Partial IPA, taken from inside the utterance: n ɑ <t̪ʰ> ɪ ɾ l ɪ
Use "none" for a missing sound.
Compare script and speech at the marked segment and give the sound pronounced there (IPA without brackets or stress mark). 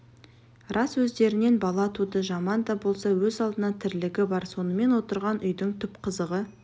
t̪ʰ